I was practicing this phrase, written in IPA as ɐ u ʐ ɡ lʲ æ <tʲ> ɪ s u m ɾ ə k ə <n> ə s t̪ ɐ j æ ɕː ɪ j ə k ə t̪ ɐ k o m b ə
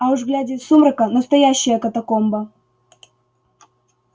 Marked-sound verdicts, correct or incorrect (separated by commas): incorrect, correct